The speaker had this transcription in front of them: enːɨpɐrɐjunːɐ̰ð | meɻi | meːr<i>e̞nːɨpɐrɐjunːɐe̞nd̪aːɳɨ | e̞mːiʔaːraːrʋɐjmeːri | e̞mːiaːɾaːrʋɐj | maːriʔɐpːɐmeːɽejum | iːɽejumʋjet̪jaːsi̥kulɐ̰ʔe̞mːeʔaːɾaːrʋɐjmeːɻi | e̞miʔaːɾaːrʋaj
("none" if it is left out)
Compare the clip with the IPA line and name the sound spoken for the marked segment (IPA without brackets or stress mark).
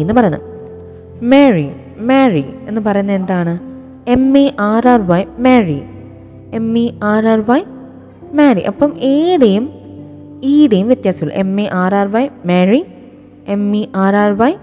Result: i